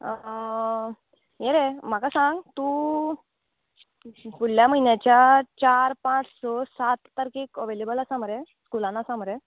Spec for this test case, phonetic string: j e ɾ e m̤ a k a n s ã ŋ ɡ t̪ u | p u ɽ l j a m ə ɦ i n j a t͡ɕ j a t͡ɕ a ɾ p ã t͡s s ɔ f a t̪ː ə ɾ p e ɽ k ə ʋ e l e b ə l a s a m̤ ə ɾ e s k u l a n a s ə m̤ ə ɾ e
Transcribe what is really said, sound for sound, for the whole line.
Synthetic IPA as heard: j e ɾ e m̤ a k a s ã ŋ ɡ t̪ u | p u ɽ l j a m ə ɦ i n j a t͡ɕ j a t͡ɕ a ɾ p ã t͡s s ɔ s a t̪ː ə ɾ k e k ə ʋ e l e b ə l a s a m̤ ə ɾ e s k u l a n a s a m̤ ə ɾ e

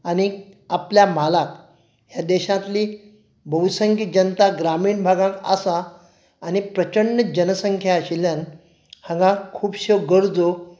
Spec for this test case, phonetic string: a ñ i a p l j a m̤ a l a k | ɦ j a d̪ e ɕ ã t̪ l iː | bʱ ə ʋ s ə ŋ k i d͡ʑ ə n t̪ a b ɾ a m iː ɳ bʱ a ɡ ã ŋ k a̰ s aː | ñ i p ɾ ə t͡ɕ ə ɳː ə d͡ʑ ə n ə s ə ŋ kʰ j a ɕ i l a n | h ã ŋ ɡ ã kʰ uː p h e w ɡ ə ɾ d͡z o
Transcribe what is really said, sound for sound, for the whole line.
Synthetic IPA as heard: a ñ i a p l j a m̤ a l a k | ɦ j a d̪ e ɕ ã t̪ l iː | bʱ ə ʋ s ə ŋ k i d͡ʑ ə n t̪ a ɡ ɾ a m iː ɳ bʱ a ɡ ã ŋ k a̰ s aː | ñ i p ɾ ə t͡ɕ ə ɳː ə d͡ʑ ə n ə s ə ŋ kʰ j a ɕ i l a n | h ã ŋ ɡ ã kʰ uː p ɕ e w ɡ ə ɾ d͡z o

